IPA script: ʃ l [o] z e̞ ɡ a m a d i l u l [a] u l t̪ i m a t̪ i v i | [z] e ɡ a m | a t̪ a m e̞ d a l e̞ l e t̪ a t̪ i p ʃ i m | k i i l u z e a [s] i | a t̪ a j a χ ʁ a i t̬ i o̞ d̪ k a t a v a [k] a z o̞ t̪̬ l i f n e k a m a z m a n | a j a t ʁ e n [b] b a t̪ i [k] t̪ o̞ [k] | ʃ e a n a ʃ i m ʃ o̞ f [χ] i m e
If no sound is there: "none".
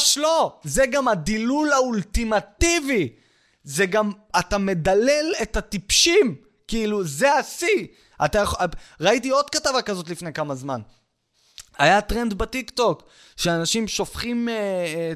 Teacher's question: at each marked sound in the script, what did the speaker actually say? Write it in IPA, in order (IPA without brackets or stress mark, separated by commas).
o, a, z, s, k, d, k, k, χ